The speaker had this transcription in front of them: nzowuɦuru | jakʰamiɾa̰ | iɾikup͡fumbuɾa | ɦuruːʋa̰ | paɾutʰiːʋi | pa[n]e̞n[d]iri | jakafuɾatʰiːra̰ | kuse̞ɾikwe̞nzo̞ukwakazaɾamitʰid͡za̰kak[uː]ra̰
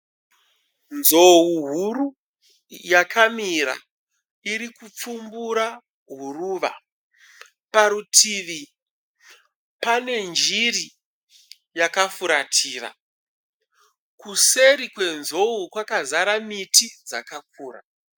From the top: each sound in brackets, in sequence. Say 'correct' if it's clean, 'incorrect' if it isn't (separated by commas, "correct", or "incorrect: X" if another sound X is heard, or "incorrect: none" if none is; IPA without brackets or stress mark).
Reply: correct, incorrect: d͡ʒ, correct